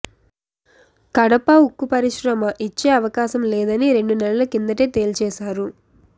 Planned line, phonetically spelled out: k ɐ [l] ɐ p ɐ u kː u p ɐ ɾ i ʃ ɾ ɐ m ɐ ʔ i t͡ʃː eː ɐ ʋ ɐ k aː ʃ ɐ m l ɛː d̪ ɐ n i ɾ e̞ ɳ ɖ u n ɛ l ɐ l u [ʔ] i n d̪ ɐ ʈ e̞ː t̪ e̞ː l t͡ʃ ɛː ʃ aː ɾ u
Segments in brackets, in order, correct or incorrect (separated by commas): incorrect, incorrect